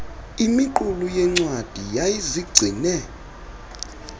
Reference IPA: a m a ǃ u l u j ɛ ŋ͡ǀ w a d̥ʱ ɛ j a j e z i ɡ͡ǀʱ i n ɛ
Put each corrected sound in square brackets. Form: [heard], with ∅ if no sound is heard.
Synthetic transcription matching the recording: [i] m [i] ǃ u l u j ɛ ŋ͡ǀ w a d̥ʱ [i] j a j [i] z i ɡ͡ǀʱ i n ɛ